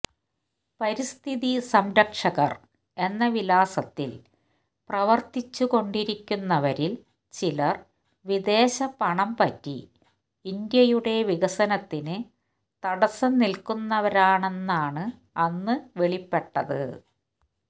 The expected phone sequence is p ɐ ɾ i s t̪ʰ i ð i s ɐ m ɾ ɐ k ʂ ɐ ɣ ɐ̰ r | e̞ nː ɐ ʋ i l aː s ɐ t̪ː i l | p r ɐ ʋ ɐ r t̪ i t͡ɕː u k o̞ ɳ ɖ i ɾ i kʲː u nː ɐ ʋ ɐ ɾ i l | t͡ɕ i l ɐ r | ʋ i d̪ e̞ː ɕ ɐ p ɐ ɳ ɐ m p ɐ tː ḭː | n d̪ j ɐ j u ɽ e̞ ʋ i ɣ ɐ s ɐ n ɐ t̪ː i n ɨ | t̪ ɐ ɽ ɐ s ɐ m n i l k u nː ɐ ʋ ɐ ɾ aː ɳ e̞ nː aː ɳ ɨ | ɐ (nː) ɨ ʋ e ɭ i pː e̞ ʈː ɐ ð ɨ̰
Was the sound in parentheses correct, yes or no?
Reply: yes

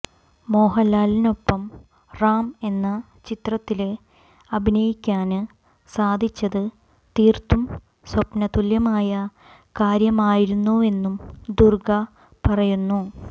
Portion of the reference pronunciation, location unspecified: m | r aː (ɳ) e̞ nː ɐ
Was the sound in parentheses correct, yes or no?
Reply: no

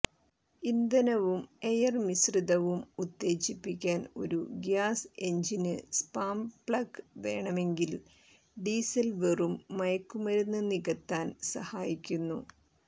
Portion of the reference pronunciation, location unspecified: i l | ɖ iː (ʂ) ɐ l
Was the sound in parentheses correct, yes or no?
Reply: no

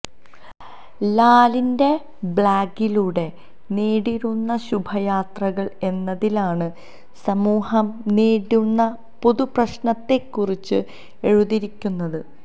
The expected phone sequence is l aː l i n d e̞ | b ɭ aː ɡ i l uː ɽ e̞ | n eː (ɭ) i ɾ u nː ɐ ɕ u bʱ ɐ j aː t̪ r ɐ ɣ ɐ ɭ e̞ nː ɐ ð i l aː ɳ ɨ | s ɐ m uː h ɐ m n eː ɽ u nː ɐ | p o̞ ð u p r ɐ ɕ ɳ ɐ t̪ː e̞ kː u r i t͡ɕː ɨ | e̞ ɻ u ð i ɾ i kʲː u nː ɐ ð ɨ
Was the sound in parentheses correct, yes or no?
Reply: no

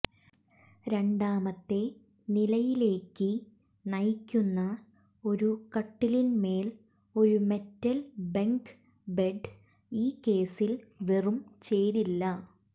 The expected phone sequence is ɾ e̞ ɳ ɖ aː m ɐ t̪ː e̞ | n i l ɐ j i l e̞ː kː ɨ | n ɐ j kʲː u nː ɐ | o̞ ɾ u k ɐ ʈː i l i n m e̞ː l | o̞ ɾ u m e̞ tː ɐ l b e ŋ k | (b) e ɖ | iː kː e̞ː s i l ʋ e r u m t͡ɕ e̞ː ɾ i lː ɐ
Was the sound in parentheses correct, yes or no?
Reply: yes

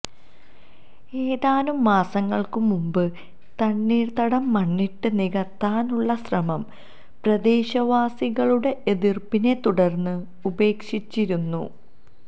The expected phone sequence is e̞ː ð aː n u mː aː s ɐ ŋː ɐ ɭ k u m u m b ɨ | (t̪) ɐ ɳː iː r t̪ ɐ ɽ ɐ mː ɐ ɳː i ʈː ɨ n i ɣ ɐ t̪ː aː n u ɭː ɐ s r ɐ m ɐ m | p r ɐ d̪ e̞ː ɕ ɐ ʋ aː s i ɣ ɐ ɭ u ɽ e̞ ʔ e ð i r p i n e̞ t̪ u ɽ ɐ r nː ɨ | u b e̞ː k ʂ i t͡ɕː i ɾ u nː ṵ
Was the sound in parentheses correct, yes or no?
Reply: yes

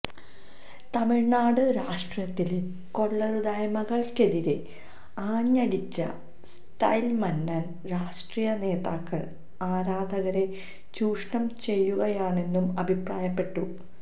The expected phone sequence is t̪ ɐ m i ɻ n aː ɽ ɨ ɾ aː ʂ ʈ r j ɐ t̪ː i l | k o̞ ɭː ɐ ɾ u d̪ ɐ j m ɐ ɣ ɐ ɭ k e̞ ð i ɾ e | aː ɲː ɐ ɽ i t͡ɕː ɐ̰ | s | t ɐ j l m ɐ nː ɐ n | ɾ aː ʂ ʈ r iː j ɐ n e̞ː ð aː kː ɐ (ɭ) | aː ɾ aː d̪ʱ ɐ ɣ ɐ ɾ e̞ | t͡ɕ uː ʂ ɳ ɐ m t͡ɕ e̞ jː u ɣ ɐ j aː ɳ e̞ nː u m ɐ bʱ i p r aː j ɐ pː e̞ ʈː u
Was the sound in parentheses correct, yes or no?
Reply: yes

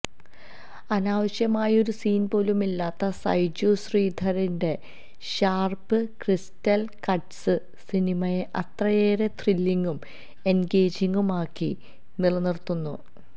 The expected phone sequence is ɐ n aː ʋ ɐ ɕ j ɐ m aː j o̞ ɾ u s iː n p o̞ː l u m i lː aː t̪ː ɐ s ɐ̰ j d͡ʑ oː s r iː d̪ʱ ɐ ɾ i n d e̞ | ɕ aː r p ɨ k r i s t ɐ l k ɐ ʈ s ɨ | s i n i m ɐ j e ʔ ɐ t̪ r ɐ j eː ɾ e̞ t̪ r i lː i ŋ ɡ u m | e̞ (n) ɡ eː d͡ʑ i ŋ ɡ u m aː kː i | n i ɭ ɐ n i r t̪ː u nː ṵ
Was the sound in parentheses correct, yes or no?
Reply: yes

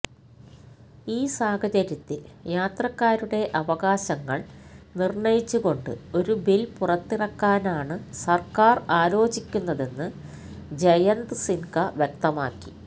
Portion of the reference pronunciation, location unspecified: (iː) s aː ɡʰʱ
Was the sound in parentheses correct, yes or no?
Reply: yes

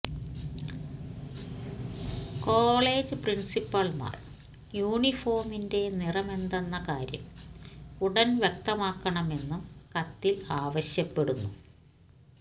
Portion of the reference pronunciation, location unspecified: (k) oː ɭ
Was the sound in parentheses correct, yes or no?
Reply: yes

